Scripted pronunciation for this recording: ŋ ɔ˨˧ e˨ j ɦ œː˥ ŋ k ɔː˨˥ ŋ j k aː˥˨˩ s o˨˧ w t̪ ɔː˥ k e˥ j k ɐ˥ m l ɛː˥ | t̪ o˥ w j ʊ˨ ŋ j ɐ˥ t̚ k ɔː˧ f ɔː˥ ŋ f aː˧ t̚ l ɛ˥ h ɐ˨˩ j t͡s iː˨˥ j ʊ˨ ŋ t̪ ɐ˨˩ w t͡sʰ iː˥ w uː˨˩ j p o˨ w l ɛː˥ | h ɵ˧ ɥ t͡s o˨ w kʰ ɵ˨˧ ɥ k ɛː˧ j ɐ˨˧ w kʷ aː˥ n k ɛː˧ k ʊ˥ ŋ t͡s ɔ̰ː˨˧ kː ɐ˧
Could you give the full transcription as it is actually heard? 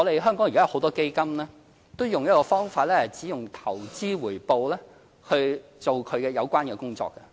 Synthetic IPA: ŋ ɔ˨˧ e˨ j ɦ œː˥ ŋ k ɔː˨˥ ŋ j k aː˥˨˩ h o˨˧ w t̪ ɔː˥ k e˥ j k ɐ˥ m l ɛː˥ | t̪ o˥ w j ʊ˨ ŋ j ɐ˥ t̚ k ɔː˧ f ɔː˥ ŋ f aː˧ t̚ l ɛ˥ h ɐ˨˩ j t͡s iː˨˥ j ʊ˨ ŋ t̪ʰ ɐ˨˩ w t͡s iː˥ w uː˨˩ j p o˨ w l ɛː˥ | h ɵ˧ ɥ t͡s o˨ w kʰ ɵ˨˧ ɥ k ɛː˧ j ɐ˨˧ w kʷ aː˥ n k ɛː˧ k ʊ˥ ŋ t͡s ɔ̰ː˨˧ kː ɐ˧